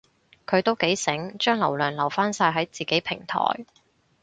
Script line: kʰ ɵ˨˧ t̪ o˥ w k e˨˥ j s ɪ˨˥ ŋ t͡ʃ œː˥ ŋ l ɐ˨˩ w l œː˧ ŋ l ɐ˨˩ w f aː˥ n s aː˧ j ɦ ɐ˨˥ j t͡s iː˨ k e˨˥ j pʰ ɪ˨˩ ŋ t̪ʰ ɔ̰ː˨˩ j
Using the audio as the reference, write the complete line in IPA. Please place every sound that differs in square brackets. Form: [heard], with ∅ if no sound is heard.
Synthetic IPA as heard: kʰ ɵ˨˧ t̪ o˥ w k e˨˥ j s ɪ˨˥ ŋ t͡ʃ œː˥ ŋ l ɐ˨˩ w l [œː˨˩] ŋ l ɐ˨˩ w f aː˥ n s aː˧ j ɦ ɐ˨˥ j t͡s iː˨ k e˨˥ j pʰ ɪ˨˩ ŋ t̪ʰ ɔ̰ː˨˩ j